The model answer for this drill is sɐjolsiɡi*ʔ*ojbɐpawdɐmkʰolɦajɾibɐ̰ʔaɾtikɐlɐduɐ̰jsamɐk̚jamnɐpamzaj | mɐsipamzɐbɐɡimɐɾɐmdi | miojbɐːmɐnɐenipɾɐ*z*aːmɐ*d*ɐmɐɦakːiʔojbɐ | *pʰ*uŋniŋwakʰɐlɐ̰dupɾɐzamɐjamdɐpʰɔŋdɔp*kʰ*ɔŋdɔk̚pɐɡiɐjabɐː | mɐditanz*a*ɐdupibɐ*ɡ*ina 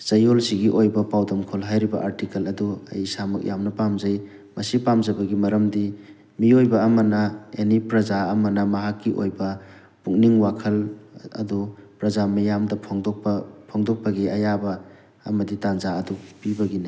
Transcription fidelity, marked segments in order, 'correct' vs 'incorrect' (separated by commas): correct, correct, incorrect, incorrect, incorrect, correct, correct